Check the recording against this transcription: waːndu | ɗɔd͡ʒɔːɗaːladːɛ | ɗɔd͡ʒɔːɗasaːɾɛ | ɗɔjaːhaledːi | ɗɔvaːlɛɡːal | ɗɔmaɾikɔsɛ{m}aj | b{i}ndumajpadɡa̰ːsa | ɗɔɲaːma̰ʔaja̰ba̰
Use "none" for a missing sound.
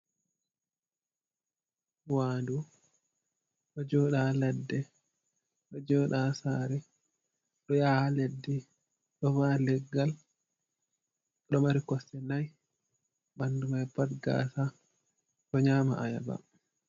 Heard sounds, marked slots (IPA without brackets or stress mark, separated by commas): n, a